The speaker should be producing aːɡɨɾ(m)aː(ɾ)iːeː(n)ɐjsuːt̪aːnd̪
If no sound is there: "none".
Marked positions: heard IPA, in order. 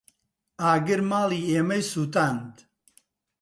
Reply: m, l, m

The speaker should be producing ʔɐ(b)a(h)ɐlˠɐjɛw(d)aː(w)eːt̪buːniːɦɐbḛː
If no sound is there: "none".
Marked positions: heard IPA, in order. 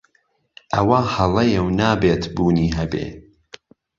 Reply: w, h, n, b

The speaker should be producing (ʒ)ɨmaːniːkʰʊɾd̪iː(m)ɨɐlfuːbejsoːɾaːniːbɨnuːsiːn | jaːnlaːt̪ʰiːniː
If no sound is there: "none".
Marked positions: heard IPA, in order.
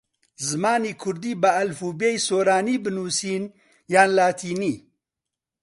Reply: z, b

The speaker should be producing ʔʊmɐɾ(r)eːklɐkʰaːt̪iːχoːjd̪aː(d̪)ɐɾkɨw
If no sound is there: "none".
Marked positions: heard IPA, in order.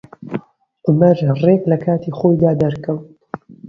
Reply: r, d̪

